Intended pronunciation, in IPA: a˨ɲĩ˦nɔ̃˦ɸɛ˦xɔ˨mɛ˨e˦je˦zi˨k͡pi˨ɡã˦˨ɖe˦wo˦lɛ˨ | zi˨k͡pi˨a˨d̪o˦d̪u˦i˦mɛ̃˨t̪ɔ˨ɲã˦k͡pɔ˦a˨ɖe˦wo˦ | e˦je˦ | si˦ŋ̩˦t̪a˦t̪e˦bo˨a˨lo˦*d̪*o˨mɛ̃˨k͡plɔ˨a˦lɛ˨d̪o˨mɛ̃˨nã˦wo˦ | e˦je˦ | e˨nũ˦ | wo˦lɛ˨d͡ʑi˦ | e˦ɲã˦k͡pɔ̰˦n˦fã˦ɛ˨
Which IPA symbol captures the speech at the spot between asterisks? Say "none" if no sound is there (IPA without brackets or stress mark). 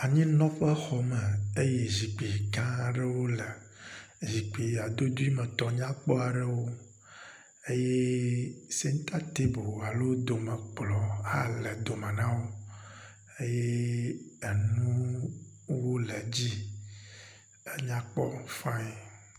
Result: d̪